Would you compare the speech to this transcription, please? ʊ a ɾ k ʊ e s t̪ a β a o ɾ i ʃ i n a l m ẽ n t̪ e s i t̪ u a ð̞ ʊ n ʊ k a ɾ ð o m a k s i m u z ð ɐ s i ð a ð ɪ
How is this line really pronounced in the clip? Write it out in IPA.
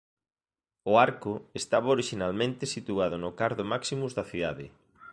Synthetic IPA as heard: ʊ a ɾ k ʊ e s t̪ a β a o ɾ i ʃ i n a l m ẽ n t̪ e s i t̪ u a ð̞ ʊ n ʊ k a ɾ ð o m a k s i m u z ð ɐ θ i ð a ð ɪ